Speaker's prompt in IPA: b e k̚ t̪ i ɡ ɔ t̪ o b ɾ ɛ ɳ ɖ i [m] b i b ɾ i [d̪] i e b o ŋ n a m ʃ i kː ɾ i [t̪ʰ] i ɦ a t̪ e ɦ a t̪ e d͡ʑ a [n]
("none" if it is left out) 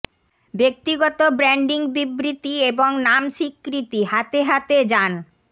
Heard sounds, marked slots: ŋ, t̪, t̪, n

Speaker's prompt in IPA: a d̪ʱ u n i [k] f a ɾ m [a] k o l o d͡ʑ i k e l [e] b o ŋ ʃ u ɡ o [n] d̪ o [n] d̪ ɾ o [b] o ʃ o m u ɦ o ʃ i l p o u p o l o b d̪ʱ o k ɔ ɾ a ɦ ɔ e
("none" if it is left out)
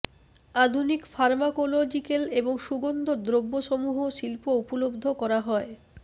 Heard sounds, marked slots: k, a, e, n, none, bː

